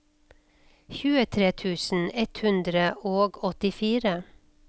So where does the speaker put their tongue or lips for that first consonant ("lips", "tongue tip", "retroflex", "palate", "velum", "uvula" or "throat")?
palate